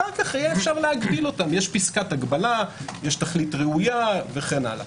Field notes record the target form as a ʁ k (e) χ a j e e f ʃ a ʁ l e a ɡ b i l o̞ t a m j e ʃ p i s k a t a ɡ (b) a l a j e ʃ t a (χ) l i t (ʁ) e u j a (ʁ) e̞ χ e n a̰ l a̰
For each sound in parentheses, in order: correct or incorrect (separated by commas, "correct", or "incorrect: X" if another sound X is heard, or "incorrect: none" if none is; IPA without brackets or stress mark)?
incorrect: a, correct, correct, correct, incorrect: v